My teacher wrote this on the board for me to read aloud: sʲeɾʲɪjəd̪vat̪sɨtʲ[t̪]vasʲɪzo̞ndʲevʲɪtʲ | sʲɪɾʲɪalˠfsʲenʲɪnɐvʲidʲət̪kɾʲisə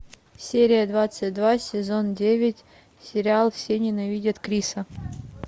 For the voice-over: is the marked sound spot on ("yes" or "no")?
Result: no